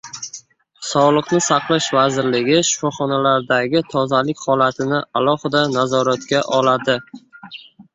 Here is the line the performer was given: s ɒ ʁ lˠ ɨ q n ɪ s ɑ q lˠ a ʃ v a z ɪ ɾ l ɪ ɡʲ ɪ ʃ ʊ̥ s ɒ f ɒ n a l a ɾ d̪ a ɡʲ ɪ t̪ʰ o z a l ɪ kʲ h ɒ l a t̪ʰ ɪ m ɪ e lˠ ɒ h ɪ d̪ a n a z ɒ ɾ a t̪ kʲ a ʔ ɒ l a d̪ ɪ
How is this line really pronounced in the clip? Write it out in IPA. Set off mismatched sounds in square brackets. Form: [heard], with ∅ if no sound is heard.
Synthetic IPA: s ɒ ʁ lˠ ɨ q n ɪ s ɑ q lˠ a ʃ v a z ɪ ɾ l ɪ ɡʲ ɪ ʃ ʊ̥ [f] ɒ [χ] ɒ n a l a ɾ d̪ a ɡʲ ɪ t̪ʰ [ɒ] z a l ɪ kʲ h ɒ l a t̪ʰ ɪ [n] ɪ [a] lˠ ɒ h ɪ d̪ a n a z ɒ ɾ a t̪ kʲ a ʔ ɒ l a d̪ ɪ